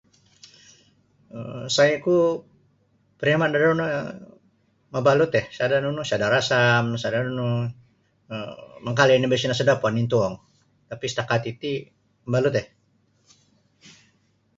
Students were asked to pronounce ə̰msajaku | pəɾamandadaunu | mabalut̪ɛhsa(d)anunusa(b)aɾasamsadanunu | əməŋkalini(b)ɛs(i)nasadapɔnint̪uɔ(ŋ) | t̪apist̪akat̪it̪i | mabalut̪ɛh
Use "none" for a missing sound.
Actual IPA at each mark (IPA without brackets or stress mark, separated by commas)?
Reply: d, d, b, i, ŋ